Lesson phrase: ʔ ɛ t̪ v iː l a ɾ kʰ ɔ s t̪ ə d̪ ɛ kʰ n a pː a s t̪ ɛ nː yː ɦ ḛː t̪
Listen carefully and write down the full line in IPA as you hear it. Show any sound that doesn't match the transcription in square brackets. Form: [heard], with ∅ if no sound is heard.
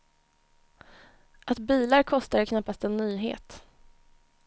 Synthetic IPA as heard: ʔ [a] t̪ [b] iː l a ɾ kʰ ɔ s t̪ [a] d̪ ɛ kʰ n a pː a s t̪ ɛ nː yː ɦ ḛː t̪